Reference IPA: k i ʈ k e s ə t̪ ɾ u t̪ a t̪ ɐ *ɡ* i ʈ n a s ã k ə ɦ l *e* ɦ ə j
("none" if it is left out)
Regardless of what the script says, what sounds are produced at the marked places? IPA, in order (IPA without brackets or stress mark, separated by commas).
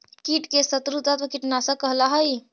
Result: k, a